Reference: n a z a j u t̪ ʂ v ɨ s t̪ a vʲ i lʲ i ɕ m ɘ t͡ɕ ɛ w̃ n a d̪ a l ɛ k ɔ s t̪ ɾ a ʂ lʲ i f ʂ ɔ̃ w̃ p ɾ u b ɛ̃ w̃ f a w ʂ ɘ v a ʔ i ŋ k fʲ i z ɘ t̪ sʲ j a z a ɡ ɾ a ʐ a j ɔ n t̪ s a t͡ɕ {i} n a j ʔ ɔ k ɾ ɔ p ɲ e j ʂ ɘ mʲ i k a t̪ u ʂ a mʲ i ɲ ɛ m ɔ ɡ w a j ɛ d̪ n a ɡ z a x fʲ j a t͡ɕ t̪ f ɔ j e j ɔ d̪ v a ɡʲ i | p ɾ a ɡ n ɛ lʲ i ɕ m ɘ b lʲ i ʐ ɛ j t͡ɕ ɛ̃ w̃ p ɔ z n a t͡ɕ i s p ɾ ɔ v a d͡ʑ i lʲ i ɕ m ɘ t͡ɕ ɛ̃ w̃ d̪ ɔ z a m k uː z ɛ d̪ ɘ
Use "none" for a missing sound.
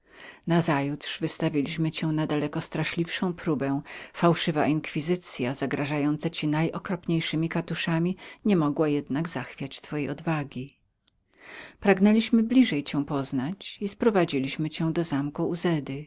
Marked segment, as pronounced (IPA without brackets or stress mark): i